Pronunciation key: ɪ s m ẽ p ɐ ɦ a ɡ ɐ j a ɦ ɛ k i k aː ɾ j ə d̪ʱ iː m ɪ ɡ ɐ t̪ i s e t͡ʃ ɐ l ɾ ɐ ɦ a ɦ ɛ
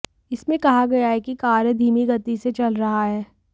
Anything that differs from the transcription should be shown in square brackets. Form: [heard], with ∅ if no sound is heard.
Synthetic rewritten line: ɪ s m ẽ [k] ɐ ɦ a ɡ ɐ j a ɦ ɛ k i k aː ɾ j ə d̪ʱ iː m [i] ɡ ɐ t̪ i s e t͡ʃ ɐ l ɾ ɐ ɦ a ɦ [ɛː]